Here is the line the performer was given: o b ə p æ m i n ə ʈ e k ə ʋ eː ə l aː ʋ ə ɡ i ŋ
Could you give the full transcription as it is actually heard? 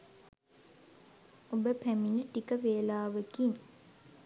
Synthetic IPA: o b ə p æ m i n ə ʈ i k ə ʋ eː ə l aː ʋ ə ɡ i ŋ

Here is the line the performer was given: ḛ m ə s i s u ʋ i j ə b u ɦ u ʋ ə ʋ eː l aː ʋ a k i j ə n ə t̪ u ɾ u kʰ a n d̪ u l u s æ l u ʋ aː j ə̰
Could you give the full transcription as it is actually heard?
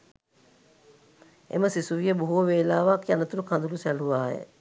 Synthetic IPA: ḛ m ə s i s u ʋ i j ə b u ɦ u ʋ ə ʋ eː l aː ʋ a k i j a n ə t̪ u ɾ u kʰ a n d̪ u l u s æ l u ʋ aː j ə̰

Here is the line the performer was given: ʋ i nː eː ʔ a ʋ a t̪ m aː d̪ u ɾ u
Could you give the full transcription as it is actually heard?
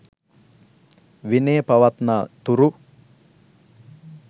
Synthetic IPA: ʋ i n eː p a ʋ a t̪ n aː t̪ u ɾ u

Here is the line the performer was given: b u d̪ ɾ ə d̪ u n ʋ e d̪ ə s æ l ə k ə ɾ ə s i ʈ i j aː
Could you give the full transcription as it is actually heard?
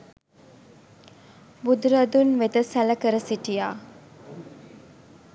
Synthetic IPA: b u d̪ ɾ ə d̪ u n ʋ e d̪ ə s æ l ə k ə ɾ ə s i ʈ i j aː

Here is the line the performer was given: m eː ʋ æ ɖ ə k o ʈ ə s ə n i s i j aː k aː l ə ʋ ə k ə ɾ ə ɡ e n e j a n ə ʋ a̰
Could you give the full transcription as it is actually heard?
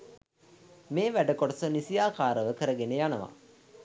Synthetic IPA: m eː ʋ æ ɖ ə k o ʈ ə s ə n i s i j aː k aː ɾ ə ʋ ə k ə ɾ ə ɡ e n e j a n ə ʋ a̰

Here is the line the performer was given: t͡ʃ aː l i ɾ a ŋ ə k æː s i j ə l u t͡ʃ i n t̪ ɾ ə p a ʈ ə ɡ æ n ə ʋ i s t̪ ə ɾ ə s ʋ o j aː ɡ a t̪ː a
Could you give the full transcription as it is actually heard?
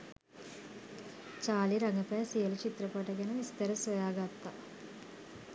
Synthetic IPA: t͡ʃ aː l i ɾ a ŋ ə p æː s i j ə l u t͡ʃ i t̪ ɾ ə p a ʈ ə ɡ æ n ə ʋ i s t̪ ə ɾ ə s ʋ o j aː ɡ a t̪ː a

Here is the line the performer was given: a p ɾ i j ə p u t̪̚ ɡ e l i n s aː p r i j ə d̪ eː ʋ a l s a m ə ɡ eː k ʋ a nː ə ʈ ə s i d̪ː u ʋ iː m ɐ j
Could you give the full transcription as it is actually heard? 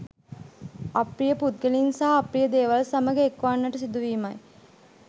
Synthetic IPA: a p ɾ i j ə p u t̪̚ ɡ e l i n s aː p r i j ə d̪ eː ʋ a l s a m ə ɡ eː k ʋ a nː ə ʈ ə s i d̪ u ʋ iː m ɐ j

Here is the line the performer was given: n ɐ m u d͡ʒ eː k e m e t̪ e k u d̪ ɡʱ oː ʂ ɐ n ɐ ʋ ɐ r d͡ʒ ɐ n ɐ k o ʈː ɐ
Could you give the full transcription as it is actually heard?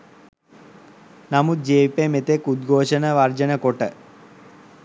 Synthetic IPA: n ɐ m u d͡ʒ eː p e m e t̪ e k u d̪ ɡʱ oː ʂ ɐ n ɐ ʋ ɐ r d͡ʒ ɐ n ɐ k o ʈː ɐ

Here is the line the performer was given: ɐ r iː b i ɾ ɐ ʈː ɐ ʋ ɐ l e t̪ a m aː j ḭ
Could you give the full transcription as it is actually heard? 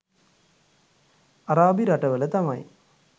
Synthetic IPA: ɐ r aː b i ɾ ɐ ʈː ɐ ʋ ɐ l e t̪ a m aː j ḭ

